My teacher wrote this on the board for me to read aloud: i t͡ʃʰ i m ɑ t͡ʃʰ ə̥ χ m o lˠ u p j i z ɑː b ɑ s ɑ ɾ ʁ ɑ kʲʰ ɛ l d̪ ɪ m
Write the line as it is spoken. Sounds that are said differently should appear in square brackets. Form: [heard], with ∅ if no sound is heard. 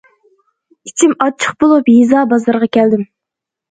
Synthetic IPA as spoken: i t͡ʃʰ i m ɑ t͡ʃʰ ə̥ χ [b] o lˠ u p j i z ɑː b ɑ [z] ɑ ɾ ʁ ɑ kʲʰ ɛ l d̪ ɪ m